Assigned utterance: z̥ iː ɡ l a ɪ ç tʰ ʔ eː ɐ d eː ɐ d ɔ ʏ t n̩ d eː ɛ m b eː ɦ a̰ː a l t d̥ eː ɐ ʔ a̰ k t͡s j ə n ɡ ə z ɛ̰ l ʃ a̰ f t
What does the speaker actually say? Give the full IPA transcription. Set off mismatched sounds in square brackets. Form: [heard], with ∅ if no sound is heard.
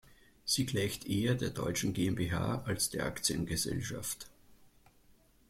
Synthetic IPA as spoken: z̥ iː ɡ l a ɪ ç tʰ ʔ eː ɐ d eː ɐ d ɔ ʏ [t͡ʃ] n̩ [ɡ] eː ɛ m b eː ɦ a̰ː a l [s] d̥ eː ɐ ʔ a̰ k t͡s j ə n ɡ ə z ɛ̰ l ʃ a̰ f t